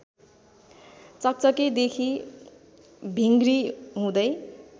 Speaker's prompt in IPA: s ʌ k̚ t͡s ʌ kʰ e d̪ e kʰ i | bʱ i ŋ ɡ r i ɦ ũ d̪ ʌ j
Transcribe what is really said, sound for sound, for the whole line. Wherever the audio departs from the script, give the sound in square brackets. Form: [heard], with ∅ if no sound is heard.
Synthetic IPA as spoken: [t͡s] ʌ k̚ t͡s ʌ [k] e d̪ e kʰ i | bʱ i ŋ ɡ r i ɦ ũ d̪ ʌ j